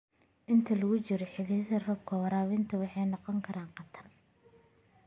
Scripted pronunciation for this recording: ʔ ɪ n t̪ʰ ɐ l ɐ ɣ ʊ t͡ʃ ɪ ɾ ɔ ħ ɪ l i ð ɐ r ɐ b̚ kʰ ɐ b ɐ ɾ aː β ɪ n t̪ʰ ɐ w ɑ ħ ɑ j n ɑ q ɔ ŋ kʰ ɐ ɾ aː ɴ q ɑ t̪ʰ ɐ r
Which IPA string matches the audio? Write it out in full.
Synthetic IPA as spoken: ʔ ɪ n t̪ʰ ɐ l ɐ ɣ ʊ t͡ʃ ɪ ɾ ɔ ħ ɪ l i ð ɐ r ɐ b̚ kʰ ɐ w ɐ ɾ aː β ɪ n t̪ʰ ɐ w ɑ ħ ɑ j n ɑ q ɔ ŋ kʰ ɐ ɾ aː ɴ q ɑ t̪ʰ ɐ r

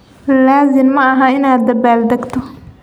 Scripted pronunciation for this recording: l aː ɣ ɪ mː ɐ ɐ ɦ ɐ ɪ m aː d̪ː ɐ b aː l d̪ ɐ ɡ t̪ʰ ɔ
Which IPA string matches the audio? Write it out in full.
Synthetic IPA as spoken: l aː z ɪ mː ɐ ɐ ɦ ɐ ɪ n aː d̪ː ɐ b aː l d̪ ɐ ɡ t̪ʰ ɔ

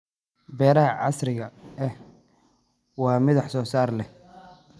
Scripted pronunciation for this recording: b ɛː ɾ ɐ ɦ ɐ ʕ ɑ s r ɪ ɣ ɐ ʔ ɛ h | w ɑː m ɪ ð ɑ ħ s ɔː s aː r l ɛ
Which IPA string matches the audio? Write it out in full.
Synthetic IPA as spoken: b ɛː ɾ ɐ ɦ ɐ ʕ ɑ s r ɪ ɣ ɐ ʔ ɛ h | w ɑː m ɪ ð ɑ ħ s ɔː s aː r l ɛ

